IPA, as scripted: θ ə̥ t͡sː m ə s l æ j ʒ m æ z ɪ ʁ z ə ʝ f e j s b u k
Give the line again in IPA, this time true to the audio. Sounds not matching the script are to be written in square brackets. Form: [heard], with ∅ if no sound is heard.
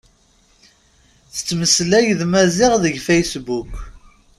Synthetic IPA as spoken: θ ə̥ t͡sː m ə s l æ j [ð] m æ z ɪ ʁ [ð] ə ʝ f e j s b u k

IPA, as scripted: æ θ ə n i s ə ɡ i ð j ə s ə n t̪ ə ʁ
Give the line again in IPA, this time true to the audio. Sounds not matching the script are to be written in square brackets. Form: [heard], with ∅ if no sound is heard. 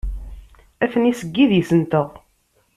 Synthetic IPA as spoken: æ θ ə n i s ə [ɡː] i ð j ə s ə n t̪ ə ʁ

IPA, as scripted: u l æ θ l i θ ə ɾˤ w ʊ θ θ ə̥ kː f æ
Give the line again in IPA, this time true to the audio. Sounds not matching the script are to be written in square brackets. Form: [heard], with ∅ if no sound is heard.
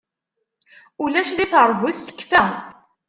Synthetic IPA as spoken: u l æ [ʃ] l i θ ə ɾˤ [v] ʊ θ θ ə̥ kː f æ

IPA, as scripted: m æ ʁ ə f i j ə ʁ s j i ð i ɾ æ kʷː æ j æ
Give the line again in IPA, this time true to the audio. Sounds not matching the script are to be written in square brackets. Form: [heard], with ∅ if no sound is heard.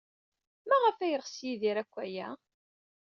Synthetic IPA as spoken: m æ ʁ ə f [æ] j ə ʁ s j i ð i ɾ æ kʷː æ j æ

